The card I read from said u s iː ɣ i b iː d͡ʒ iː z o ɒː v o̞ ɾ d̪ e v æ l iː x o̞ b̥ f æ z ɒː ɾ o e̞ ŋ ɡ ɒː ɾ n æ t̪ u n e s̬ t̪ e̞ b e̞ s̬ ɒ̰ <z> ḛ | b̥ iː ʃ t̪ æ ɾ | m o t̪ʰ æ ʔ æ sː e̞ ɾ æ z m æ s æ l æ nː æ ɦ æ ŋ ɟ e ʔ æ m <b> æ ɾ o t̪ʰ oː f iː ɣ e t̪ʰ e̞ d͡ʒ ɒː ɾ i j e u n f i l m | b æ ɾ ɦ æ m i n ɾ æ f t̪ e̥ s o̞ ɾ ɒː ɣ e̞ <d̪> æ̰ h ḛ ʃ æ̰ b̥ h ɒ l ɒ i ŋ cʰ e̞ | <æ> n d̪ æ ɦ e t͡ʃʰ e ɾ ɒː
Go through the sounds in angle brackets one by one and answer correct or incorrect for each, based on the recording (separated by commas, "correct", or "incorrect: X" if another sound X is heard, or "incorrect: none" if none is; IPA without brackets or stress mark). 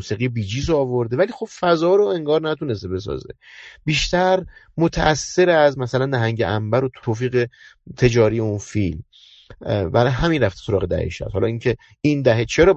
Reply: correct, correct, correct, incorrect: i